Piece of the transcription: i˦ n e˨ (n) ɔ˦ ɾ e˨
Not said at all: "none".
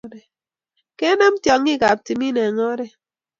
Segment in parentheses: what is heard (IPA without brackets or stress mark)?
ŋ